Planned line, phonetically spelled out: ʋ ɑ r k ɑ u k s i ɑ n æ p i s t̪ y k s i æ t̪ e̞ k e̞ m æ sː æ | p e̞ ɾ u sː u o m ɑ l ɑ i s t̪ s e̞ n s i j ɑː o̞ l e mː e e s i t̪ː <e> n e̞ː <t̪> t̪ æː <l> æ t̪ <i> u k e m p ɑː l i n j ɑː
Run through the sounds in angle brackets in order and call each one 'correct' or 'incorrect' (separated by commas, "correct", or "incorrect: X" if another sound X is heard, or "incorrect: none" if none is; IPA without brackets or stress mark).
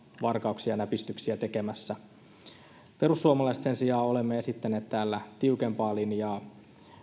incorrect: æ, correct, incorrect: lː, correct